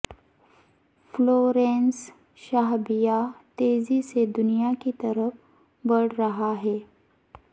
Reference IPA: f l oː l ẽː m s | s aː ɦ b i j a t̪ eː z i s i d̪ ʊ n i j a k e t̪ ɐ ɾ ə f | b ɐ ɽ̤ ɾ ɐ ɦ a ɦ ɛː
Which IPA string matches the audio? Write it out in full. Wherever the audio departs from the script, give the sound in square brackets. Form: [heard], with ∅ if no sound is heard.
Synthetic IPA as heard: f l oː [ɾ] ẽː [n] s | [ʃ] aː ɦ b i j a t̪ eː z i s [e] d̪ ʊ n i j a k [i] t̪ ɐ ɾ ə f | b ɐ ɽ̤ ɾ ɐ ɦ a ɦ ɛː